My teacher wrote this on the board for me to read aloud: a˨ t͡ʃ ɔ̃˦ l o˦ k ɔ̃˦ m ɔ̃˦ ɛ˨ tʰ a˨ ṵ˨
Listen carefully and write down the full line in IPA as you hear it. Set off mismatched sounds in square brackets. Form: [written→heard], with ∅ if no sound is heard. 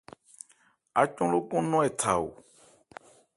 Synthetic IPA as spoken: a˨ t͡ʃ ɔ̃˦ l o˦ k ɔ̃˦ [m→n] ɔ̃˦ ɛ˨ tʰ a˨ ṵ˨